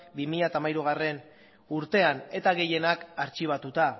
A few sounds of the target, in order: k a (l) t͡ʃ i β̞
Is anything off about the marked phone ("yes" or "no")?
yes